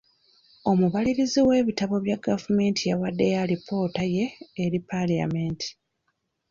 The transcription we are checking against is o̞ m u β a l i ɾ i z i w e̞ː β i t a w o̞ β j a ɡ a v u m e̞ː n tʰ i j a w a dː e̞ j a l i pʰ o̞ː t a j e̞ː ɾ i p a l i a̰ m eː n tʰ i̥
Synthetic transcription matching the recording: o̞ m u β a l i ɾ i z i w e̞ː β i t a β o̞ β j a ɡ a v u m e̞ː n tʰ i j a w a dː e̞ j a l i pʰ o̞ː t a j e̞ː ɾ i p a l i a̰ m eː n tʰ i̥